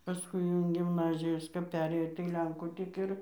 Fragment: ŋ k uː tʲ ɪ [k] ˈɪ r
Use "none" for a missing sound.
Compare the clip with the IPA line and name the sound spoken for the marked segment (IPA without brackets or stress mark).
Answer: k